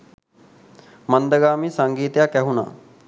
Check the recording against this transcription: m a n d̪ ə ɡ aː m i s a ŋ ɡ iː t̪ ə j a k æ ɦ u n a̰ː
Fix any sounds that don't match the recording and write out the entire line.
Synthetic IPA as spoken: m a n d̪ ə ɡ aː m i s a ŋ ɡ iː t̪ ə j a k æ ɦ u n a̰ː